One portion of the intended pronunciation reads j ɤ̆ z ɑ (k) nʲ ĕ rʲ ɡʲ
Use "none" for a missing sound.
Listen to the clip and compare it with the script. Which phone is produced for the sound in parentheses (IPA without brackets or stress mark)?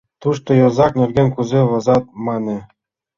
k